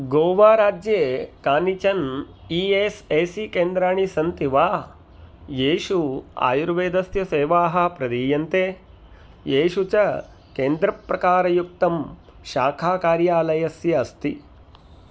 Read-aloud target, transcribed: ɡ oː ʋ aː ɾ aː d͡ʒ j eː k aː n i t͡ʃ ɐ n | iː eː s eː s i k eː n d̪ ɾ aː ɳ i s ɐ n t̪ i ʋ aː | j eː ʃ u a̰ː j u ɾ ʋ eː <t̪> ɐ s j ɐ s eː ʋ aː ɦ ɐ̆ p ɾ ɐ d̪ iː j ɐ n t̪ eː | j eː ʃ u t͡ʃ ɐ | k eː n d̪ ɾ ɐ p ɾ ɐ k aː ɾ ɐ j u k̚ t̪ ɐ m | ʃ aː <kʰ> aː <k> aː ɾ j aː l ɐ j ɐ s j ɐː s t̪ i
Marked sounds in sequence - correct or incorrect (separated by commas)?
incorrect, correct, correct